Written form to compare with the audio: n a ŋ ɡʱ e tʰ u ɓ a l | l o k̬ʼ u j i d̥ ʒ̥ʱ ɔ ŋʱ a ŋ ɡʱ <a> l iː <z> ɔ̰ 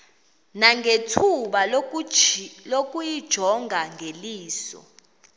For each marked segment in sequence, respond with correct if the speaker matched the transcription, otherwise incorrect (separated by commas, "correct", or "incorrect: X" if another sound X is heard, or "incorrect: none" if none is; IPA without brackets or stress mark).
incorrect: e, incorrect: s